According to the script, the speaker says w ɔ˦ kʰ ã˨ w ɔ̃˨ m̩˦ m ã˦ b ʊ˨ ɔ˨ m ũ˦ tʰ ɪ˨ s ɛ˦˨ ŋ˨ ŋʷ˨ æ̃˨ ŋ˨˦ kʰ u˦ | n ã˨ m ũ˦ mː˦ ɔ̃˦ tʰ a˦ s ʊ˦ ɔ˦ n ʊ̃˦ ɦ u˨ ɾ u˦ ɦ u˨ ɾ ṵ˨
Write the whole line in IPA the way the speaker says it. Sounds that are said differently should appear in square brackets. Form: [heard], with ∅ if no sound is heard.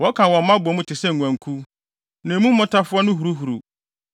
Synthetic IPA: w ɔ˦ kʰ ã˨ w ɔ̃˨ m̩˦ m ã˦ b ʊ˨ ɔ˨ m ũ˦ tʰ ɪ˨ s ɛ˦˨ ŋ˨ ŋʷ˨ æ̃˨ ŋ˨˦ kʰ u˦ | n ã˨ m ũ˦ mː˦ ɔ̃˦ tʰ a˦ [f] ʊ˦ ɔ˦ n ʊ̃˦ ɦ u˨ ɾ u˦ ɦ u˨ ɾ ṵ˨